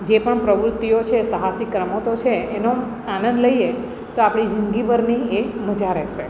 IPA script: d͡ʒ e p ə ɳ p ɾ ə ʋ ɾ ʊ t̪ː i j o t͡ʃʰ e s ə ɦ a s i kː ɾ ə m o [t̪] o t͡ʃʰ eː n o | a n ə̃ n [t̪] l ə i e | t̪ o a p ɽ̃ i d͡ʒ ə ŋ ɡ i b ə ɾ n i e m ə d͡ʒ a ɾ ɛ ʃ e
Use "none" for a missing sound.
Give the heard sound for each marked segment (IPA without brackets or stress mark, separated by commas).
t̪, d̪